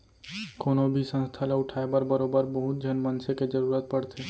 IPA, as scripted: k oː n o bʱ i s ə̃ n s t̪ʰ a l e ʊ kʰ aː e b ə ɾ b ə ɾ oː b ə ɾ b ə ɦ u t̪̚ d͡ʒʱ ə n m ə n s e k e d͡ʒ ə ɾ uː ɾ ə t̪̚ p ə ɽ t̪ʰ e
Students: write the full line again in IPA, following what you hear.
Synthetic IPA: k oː n o bʱ i s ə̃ n s t̪ʰ a l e ʊ ʈʰ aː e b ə ɾ b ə ɾ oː b ə ɾ b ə ɦ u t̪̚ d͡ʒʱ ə n m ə n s e k e d͡ʒ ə ɾ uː ɾ ə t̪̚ p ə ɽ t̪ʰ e